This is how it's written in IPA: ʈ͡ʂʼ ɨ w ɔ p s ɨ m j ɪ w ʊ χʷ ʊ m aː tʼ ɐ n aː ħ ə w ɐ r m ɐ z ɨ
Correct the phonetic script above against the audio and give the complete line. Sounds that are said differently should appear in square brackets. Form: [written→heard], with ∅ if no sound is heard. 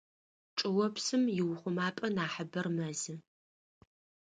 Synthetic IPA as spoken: ʈ͡ʂʼ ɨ w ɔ p s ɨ m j ɪ w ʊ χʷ ʊ m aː [tʼ→pʼ] ɐ n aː ħ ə [w→b] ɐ r m ɐ z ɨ